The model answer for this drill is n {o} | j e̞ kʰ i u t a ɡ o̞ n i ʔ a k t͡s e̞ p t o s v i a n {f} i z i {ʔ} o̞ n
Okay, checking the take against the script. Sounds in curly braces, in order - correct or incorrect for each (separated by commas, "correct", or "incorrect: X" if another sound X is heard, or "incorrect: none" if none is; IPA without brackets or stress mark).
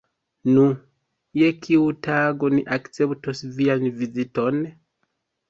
incorrect: u, incorrect: v, incorrect: t